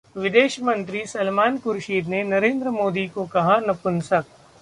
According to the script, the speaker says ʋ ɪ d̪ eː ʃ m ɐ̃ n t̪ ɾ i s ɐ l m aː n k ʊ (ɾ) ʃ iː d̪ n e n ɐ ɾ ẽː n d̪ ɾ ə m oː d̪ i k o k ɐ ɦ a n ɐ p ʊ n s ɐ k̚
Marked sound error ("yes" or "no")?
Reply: no